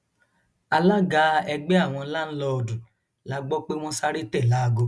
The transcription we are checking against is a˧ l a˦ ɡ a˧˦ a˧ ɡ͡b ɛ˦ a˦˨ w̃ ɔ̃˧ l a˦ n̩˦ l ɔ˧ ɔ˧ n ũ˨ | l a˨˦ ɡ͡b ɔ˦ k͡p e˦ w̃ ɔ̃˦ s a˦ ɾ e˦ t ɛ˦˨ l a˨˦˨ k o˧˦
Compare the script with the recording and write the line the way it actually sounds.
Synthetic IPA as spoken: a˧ l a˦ ɡ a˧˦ ɛ˧ ɡ͡b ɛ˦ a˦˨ w̃ ɔ̃˧ l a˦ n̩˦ l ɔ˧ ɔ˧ d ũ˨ | l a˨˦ ɡ͡b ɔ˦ k͡p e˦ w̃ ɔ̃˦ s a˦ ɾ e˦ t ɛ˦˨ l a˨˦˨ ɡ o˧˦